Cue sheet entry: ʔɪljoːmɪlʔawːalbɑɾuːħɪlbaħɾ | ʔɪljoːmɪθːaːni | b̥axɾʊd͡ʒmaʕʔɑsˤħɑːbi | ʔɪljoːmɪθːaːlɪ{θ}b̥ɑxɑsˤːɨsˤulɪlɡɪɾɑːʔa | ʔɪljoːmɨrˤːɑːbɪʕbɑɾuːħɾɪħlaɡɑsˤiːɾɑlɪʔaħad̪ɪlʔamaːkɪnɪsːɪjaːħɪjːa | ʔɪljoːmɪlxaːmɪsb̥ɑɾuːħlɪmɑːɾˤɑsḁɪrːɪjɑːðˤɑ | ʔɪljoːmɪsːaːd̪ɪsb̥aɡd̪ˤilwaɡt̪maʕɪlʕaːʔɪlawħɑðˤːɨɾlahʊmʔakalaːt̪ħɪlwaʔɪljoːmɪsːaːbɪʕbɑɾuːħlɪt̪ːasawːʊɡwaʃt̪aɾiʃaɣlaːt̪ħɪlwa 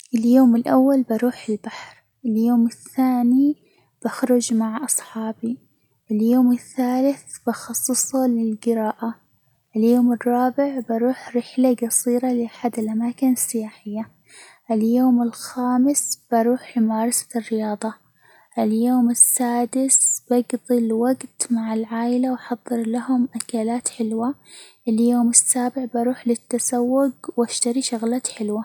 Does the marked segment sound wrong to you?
no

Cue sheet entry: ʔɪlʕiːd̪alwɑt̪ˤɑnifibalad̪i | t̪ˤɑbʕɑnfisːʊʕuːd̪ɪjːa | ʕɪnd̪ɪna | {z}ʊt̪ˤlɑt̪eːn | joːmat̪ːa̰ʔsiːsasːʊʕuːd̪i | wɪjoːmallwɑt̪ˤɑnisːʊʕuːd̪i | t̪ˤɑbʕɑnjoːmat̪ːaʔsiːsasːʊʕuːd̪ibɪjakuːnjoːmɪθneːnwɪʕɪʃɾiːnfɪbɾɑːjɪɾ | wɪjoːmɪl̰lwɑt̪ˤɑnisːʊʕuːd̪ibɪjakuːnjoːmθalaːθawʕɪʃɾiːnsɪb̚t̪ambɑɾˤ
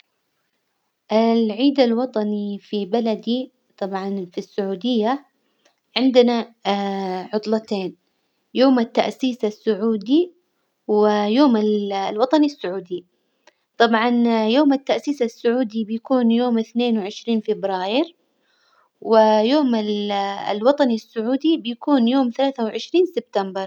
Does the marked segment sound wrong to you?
yes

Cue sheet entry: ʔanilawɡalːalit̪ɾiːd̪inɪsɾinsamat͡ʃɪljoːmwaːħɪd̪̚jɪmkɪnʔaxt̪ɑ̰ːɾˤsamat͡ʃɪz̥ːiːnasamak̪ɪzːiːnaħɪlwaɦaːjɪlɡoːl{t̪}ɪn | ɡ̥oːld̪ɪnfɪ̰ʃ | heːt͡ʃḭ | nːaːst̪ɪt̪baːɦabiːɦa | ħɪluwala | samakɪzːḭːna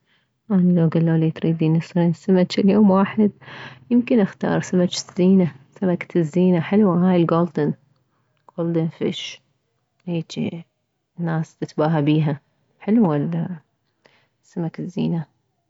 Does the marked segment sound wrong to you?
yes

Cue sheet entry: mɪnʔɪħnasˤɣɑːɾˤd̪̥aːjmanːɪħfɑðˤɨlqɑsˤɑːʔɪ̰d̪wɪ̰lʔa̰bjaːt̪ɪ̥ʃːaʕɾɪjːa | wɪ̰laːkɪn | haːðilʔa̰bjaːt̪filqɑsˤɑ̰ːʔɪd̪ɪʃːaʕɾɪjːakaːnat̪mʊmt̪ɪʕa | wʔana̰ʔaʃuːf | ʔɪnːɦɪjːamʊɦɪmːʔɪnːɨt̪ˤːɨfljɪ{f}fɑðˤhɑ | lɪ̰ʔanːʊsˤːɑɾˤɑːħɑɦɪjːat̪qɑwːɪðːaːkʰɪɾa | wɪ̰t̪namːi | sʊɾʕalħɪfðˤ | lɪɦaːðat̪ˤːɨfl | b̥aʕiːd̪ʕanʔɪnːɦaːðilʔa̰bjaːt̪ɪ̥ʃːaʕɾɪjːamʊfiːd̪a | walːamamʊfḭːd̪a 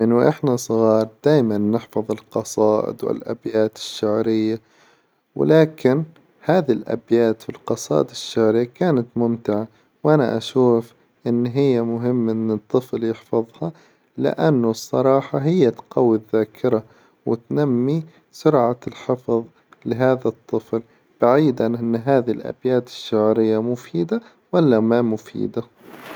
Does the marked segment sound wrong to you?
yes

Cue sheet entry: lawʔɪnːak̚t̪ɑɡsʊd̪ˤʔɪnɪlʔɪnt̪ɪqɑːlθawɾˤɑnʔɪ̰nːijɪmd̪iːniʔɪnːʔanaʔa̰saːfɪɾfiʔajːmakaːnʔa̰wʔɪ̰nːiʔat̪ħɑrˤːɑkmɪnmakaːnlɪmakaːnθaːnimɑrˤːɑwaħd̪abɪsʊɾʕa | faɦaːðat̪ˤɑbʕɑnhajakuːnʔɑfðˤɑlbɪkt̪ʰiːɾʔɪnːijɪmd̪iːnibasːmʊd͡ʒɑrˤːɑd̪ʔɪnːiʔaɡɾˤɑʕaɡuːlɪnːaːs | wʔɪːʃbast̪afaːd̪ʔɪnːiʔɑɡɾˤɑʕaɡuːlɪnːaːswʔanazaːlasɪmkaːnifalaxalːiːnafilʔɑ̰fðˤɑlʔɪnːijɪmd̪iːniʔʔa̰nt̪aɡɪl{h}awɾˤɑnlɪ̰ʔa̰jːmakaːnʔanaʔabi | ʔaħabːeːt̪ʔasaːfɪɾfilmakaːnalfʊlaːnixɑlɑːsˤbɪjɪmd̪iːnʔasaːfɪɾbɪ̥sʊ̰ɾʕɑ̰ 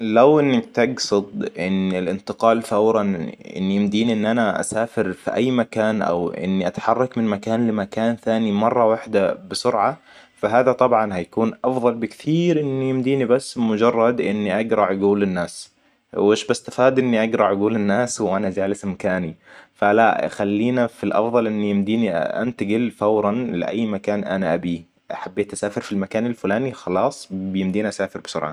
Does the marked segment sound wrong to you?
yes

